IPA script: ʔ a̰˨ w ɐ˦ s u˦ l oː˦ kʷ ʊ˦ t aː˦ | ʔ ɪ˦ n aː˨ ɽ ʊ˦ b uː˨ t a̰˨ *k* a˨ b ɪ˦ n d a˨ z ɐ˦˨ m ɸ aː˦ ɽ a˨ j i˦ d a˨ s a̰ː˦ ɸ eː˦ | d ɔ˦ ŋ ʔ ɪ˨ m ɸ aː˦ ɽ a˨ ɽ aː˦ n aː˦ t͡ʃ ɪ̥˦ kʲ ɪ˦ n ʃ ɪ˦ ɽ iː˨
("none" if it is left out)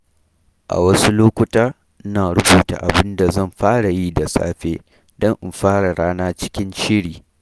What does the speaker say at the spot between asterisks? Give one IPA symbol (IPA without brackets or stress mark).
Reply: ʔ